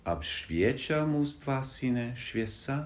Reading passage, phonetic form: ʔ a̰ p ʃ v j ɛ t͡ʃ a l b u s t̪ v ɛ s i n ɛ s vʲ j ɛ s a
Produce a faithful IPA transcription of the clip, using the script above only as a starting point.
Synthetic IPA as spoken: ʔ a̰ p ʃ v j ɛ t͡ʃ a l m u s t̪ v a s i n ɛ ʃ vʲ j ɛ s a